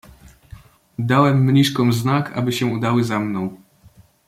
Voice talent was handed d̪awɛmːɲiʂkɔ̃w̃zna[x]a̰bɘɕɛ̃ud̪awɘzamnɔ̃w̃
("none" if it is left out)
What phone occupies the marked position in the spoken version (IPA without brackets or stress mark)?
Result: k